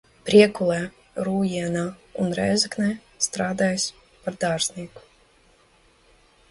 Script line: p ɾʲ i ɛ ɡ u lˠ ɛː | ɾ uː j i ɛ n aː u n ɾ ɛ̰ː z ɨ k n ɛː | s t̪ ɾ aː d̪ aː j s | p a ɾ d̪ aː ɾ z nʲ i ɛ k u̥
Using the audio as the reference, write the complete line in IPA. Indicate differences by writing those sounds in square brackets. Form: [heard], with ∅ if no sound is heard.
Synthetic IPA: p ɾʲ i ɛ [k] u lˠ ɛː | ɾ uː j i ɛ n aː u n ɾ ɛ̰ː z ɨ k n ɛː | s t̪ ɾ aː d̪ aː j s | p a ɾ d̪ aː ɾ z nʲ i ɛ k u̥

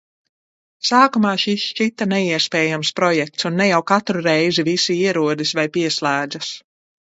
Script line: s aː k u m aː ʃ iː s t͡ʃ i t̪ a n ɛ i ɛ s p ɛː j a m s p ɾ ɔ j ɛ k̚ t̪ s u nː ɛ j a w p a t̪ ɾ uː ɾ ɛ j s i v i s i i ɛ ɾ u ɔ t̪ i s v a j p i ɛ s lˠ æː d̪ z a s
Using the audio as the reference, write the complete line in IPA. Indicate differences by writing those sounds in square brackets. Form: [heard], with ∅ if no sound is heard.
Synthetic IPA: s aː k u m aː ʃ [i] s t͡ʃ i t̪ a n ɛ i ɛ s p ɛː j a m s p ɾ ɔ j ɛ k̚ t̪ s u nː ɛ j a w [k] a t̪ ɾ [u] ɾ ɛ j [z] i v i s i i ɛ ɾ u ɔ [d̪] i s v a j p i ɛ s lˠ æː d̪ z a s

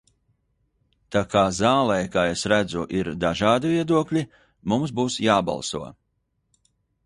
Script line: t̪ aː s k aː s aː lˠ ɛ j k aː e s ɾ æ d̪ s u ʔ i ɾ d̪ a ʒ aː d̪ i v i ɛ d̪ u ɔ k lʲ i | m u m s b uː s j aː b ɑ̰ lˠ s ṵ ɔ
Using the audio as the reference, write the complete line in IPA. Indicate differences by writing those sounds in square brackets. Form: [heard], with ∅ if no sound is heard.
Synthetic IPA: t̪ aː [∅] k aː [z] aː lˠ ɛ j k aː e s ɾ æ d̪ [z] u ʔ i ɾ d̪ a ʒ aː d̪ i v i ɛ d̪ u ɔ k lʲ i | m u m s b uː s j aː b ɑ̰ lˠ s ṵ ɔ

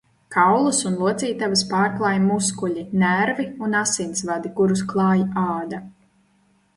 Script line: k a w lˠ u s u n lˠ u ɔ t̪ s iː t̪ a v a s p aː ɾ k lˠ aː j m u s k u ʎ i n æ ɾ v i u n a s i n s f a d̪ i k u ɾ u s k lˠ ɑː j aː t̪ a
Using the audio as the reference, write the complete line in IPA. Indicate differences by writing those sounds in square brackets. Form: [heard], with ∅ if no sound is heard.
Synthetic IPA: k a w lˠ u s u n lˠ u ɔ t̪ s iː t̪ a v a s p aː ɾ k lˠ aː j m u s k u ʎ i n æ ɾ v i u n a s i n s [v] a d̪ i k u ɾ u s k lˠ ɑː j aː [d̪] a

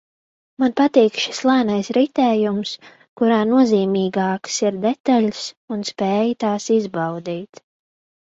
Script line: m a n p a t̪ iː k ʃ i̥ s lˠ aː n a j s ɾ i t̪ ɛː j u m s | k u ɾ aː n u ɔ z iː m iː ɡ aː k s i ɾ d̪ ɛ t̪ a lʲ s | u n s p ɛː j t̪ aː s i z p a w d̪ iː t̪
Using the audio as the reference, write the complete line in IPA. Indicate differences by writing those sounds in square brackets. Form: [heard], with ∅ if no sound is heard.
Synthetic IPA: m a n p a t̪ iː k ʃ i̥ s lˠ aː n a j s ɾ i t̪ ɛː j u m s | k u ɾ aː n u ɔ z iː m iː ɡ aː k s i ɾ d̪ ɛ t̪ a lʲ s | u n s p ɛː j t̪ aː s i z [b] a w d̪ iː t̪

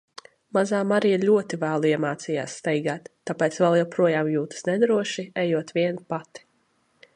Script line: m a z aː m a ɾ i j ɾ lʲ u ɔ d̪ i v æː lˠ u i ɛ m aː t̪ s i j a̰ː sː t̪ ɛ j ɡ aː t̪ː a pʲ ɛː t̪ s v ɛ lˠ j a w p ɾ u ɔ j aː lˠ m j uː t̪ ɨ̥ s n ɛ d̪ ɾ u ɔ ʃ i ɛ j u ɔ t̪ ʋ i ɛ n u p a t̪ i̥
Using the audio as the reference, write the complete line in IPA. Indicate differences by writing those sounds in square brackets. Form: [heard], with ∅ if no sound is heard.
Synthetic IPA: m a z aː m a ɾ i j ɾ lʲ u ɔ [t̪] i v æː lˠ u i ɛ m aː t̪ s i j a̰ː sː t̪ ɛ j ɡ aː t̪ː a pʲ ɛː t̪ s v ɛ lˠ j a w p ɾ u ɔ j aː [∅] m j uː t̪ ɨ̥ s n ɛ d̪ ɾ u ɔ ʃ i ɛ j u ɔ t̪ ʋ i ɛ n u p a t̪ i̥

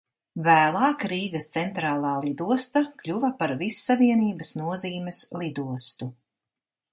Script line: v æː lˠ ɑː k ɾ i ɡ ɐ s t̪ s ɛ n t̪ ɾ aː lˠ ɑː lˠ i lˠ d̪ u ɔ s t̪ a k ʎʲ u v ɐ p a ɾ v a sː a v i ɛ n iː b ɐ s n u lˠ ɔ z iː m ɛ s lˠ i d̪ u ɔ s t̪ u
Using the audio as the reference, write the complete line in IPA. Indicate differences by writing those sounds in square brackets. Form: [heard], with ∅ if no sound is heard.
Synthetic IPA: v æː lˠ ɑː k ɾ [iː] ɡ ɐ s t̪ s ɛ n t̪ ɾ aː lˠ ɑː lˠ i [∅] d̪ u ɔ s t̪ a k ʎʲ u v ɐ p a ɾ v [i] sː a v i ɛ n iː b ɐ s n u [∅] ɔ z iː m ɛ s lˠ i d̪ u ɔ s t̪ u

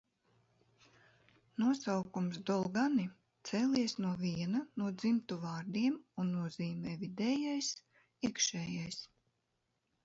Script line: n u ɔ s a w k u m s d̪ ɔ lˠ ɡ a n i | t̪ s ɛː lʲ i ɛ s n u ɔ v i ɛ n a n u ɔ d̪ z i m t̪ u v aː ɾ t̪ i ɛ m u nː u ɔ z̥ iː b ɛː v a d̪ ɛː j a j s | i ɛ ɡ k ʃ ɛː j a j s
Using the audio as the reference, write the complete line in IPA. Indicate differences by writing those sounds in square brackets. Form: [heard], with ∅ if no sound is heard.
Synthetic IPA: n u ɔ s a w k u m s d̪ ɔ lˠ ɡ a n i | t̪ s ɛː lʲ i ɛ s n u ɔ v i ɛ n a n u ɔ d̪ z i m t̪ u v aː ɾ [d̪] i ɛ m u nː u ɔ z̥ iː [m] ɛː v [i] d̪ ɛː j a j s | i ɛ [∅] k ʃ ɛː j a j s

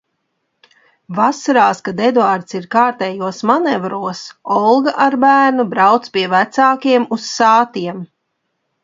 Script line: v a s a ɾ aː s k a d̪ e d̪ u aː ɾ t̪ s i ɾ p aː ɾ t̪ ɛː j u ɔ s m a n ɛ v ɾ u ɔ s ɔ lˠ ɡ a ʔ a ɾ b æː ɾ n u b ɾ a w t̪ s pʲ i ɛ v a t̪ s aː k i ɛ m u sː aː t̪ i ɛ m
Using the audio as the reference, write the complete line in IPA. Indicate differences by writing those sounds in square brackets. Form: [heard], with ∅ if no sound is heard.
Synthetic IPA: v a s a ɾ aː s k a d̪ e d̪ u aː ɾ t̪ s i ɾ [k] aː ɾ t̪ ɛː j u ɔ s m a n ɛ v ɾ u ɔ s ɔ lˠ ɡ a ʔ a ɾ b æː ɾ n u b ɾ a w t̪ s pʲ i ɛ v [æ] t̪ s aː k i ɛ m u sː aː t̪ i ɛ m

